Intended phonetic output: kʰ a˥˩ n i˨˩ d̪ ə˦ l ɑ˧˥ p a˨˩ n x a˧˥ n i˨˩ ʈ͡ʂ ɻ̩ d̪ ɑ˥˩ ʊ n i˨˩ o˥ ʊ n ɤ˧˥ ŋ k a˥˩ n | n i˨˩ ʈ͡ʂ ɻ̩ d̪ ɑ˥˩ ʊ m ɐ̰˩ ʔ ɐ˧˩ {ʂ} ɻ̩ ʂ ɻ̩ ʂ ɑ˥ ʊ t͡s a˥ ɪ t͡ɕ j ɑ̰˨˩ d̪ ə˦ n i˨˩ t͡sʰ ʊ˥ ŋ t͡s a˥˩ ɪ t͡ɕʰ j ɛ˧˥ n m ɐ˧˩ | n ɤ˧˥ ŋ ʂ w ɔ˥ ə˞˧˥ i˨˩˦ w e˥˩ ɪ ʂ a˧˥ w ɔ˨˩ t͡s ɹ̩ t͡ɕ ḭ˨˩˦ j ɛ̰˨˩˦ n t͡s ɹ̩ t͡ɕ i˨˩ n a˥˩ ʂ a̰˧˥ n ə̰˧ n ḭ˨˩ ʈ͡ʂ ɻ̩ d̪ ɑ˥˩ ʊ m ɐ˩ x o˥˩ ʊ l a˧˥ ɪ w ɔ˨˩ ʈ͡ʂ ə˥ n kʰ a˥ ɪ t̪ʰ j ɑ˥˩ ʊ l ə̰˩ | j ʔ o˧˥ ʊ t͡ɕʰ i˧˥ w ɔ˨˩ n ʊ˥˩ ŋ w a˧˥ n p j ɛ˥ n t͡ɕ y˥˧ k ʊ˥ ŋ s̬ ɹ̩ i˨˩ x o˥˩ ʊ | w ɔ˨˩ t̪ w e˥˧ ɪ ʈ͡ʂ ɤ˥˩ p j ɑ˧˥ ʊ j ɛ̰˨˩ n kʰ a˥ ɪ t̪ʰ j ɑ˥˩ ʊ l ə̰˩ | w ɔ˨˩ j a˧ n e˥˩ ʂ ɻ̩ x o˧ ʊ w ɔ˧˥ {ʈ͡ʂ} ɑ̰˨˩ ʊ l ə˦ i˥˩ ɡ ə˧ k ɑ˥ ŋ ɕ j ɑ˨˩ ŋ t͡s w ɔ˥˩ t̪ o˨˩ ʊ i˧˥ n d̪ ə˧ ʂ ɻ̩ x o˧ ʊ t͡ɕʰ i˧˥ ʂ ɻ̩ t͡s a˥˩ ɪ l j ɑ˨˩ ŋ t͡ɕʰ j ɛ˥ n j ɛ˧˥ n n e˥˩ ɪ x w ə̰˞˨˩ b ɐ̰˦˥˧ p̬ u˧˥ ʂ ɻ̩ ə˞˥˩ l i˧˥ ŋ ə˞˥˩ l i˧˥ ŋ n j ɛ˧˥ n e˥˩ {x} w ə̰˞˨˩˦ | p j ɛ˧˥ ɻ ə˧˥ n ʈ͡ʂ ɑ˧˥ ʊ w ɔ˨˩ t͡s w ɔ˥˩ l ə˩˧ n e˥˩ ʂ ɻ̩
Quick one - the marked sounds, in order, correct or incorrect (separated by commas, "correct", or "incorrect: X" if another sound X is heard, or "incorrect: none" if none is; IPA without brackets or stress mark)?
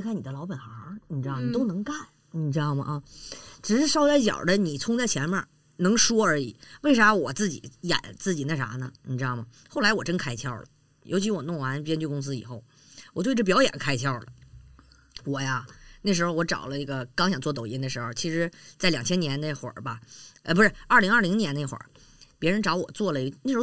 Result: incorrect: ʈ͡ʂ, correct, correct